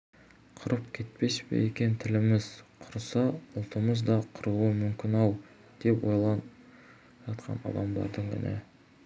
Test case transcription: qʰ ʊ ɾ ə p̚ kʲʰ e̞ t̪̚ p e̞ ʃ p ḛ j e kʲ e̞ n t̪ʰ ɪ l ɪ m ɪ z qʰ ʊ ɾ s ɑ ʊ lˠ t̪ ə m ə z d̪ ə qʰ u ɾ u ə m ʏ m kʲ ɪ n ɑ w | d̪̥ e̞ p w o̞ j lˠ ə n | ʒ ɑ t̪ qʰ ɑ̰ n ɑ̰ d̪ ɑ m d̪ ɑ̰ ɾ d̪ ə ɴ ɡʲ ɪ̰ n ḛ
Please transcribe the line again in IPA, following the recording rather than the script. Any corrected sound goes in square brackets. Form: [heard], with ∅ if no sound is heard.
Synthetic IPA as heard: qʰ ʊ ɾ ə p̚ kʲʰ e̞ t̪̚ p e̞ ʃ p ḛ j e kʲ e̞ n t̪ʰ ɪ l ɪ m ɪ z qʰ ʊ ɾ s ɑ ʊ lˠ t̪ ə m ə z d̪ [ɑ] qʰ [ʊ] ɾ u ə m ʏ m kʲ ɪ n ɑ w | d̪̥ e̞ p w o̞ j lˠ [ɑ] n | ʒ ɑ t̪ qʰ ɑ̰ n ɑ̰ d̪ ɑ m d̪ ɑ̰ ɾ d̪ ə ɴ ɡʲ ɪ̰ n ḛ

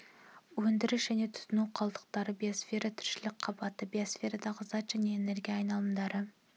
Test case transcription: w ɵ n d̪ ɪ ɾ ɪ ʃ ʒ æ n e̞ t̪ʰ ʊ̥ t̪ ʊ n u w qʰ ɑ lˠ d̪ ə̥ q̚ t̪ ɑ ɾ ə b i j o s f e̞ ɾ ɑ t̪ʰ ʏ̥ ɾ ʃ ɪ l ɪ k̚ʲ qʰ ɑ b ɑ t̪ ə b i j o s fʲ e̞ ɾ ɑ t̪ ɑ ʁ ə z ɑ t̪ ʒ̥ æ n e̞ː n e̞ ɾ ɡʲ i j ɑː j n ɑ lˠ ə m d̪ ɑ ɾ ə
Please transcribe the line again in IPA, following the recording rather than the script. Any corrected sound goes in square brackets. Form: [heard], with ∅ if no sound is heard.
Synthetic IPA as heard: w ɵ n d̪ ɪ ɾ ɪ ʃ ʒ æ n e̞ t̪ʰ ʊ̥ t̪ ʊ n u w qʰ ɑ lˠ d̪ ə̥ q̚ t̪ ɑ ɾ ə b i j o s f e̞ ɾ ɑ t̪ʰ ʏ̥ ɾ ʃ ɪ l ɪ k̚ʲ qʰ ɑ b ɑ t̪ ə b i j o s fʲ e̞ ɾ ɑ [d̪] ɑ ʁ ə z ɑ t̪ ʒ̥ æ n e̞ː n e̞ ɾ ɡʲ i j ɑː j n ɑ lˠ ə m d̪ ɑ ɾ ə

